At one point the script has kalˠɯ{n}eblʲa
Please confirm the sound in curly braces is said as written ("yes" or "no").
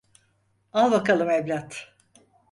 no